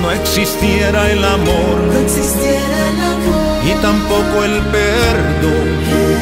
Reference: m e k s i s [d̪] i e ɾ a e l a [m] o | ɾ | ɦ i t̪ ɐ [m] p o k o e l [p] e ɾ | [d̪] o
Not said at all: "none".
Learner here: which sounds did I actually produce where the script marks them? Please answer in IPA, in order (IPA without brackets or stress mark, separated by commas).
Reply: t̪, m, m, p, d̪